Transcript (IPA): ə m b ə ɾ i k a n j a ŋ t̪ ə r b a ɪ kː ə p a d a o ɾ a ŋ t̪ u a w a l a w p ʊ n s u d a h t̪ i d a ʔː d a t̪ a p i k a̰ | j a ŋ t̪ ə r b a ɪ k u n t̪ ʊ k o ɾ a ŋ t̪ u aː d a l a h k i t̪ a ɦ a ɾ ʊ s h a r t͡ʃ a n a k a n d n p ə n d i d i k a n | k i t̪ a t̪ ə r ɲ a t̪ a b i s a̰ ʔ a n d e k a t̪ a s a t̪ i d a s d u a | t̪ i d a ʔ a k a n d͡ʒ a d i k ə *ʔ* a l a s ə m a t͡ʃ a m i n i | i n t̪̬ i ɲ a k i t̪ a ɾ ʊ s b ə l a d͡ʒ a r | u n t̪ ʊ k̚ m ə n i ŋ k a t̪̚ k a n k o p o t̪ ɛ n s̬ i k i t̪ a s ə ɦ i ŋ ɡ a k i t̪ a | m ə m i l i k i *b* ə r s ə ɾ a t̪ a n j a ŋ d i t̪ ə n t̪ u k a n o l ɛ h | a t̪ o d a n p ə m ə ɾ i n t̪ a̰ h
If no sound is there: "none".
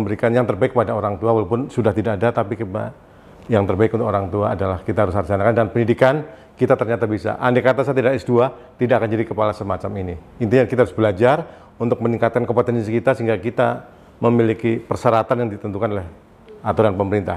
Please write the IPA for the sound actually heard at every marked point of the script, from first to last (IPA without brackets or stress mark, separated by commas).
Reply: p, p